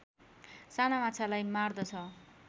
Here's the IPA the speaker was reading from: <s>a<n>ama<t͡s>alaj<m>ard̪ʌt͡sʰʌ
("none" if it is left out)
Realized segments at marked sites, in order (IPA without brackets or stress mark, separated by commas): s, n, t͡sʰ, m